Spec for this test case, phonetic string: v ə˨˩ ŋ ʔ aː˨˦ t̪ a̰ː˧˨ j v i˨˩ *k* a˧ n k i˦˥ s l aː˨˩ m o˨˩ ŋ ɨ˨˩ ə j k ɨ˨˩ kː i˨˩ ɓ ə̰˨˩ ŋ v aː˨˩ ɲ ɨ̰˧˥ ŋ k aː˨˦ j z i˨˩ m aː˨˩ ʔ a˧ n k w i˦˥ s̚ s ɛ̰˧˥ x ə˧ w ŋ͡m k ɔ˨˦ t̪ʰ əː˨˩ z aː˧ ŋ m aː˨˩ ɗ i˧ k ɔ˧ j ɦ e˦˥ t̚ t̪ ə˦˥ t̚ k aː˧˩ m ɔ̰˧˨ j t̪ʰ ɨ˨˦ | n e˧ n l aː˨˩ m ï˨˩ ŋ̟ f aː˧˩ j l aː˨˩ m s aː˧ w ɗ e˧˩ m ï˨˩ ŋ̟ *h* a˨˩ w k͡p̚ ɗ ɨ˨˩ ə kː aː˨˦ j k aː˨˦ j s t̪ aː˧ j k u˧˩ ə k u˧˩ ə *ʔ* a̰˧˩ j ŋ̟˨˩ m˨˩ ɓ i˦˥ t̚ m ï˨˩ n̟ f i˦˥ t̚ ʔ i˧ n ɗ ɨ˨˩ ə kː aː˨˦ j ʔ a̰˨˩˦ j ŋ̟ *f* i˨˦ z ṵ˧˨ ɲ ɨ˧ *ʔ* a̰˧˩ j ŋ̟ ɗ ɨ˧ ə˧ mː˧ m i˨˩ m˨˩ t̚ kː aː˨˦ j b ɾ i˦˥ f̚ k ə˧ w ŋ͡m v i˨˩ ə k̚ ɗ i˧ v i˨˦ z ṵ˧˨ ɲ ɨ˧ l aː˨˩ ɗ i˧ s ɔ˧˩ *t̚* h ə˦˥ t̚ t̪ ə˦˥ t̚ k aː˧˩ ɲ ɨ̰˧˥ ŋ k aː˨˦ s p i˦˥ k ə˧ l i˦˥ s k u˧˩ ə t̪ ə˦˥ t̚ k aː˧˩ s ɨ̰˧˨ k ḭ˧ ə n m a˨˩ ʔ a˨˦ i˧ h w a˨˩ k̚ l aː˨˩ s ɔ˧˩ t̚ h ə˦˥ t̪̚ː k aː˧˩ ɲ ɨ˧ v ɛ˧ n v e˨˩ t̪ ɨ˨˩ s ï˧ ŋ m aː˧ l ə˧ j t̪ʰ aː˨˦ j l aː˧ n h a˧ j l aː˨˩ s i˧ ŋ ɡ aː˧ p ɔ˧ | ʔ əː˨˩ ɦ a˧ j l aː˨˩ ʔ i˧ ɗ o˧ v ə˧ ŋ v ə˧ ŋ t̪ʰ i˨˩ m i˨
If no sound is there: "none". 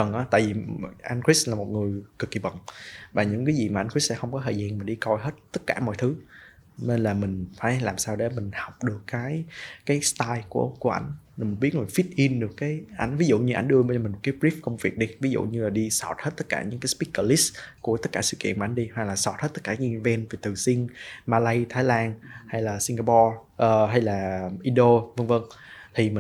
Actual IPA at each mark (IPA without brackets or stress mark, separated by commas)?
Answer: ʔ, h, ʔ, v, ʔ, t̚